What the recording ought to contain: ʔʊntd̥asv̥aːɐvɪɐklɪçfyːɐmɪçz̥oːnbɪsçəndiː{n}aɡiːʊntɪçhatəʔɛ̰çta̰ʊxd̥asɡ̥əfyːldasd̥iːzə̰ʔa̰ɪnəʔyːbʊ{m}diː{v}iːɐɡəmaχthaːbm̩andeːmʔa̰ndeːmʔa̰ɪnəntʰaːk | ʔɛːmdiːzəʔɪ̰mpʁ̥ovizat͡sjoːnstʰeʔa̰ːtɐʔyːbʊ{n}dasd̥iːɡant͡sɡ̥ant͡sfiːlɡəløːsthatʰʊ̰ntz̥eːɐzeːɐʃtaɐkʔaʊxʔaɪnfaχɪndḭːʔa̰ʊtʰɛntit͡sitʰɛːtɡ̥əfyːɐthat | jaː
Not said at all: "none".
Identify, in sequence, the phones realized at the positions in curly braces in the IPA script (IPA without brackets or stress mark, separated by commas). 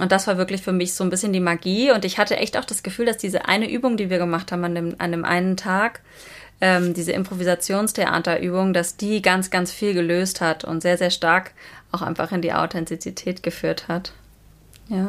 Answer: m, ŋ, v, ŋ